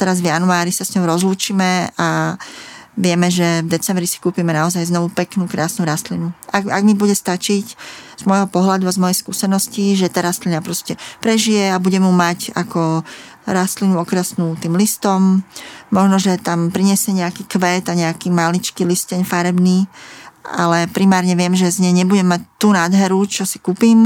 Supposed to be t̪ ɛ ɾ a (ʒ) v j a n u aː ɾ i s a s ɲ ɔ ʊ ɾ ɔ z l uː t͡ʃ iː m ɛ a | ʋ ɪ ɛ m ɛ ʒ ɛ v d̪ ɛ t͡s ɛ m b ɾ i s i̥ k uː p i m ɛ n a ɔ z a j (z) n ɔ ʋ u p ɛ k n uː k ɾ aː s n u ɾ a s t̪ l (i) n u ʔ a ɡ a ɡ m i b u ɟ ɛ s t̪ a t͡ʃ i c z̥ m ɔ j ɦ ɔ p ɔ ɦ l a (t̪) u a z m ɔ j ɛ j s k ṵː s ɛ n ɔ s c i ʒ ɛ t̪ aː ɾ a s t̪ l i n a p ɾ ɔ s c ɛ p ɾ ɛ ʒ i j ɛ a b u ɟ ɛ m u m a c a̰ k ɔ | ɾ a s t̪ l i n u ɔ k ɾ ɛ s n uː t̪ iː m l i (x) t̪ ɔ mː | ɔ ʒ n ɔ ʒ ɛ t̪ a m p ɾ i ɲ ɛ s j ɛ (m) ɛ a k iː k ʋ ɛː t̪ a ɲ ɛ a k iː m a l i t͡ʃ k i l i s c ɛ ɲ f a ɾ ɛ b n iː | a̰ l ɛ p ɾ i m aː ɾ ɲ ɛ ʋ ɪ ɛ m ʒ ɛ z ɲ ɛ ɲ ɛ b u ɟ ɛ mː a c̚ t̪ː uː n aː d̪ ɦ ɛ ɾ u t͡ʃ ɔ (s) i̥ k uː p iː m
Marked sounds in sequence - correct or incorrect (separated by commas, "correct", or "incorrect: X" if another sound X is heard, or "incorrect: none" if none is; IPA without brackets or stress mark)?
incorrect: z, correct, correct, incorrect: d̪, incorrect: s, incorrect: ɲ, correct